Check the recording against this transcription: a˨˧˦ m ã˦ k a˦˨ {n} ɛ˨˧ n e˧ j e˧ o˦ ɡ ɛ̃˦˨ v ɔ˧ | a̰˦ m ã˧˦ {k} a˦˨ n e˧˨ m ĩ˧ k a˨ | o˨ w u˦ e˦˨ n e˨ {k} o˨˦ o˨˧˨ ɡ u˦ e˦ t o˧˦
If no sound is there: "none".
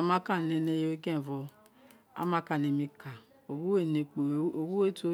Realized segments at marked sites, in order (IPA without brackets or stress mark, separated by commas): n, k, k͡p